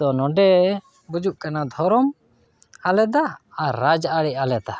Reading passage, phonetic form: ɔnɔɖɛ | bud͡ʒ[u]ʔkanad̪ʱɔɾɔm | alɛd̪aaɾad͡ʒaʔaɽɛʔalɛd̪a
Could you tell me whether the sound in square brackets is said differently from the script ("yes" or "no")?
no